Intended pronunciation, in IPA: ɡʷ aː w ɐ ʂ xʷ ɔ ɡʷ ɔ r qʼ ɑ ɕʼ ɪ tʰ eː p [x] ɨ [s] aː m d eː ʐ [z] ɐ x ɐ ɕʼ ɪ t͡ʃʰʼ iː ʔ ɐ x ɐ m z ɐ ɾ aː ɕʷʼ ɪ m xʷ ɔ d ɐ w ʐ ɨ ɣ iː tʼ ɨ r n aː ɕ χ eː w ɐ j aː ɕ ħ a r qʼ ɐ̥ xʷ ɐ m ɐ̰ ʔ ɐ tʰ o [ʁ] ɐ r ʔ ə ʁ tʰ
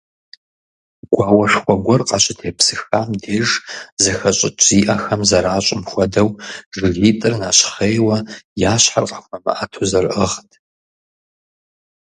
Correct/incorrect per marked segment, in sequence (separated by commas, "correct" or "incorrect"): incorrect, incorrect, correct, incorrect